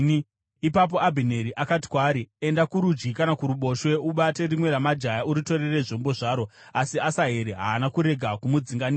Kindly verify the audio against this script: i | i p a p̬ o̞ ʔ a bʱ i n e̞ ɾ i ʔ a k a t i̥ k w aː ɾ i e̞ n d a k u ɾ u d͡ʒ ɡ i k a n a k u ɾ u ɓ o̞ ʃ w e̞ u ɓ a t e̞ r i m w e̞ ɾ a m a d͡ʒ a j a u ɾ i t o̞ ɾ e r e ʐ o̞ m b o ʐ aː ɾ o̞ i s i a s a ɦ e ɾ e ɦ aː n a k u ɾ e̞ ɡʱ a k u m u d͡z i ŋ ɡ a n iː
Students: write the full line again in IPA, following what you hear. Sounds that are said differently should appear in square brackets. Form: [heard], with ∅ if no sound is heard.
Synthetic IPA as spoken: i | i p a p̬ o̞ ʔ a bʱ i n e̞ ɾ i ʔ a k a t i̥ k w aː ɾ i e̞ n d a k u ɾ u d͡ʒ ɡ i k a n a k u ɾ u ɓ o̞ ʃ w e̞ u ɓ a t e̞ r i m w e̞ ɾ a m a d͡ʒ a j a u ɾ i t o̞ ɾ e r e ʐ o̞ m b o ʐ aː ɾ o̞ [a] s i a s a ɦ e ɾ e ɦ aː n a k u ɾ e̞ ɡʱ a k u m u d͡z i ŋ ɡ a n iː